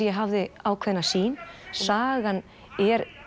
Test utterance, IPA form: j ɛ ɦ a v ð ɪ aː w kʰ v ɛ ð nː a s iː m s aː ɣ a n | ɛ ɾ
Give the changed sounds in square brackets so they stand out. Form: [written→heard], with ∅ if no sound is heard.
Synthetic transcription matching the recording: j ɛ ɦ a v ð ɪ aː w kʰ v ɛ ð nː a s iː [m→n] s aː ɣ a n | ɛ ɾ